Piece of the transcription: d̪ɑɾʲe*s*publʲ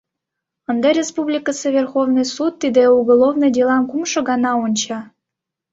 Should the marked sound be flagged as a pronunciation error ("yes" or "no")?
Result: no